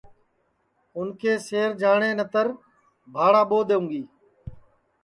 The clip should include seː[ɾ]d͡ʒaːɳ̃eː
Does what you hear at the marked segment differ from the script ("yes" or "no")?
no